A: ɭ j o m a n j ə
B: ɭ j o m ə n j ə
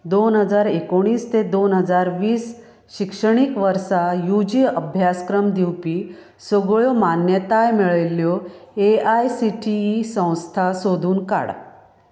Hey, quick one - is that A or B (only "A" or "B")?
A